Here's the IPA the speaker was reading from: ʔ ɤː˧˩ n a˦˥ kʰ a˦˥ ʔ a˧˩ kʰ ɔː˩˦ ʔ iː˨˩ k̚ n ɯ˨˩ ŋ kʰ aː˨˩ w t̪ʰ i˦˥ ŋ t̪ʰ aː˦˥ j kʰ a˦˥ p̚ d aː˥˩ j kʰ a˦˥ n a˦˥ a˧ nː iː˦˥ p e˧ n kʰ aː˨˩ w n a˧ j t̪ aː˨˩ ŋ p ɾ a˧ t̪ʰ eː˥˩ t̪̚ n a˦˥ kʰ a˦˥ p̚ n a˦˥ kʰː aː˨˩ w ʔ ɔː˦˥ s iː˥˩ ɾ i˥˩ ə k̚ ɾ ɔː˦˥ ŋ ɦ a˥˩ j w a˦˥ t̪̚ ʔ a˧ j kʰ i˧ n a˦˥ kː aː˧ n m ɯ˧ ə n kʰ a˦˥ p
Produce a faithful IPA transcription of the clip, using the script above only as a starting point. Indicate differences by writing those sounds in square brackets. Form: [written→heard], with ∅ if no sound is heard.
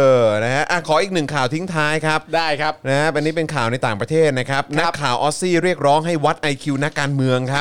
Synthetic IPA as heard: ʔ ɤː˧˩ n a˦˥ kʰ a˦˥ ʔ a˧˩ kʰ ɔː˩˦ ʔ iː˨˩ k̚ n ɯ˨˩ ŋ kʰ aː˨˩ w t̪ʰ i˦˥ ŋ t̪ʰ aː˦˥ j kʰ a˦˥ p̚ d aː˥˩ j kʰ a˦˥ n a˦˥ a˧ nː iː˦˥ p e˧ n kʰ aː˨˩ w n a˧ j t̪ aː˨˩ ŋ p ɾ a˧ t̪ʰ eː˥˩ t̪̚ n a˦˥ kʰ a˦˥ p̚ n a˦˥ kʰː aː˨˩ w ʔ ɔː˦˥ s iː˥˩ ɾ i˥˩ ə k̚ ɾ ɔː˦˥ ŋ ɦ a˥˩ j w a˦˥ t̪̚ ʔ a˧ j kʰ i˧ n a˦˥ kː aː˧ n m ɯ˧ ə [n→ŋ] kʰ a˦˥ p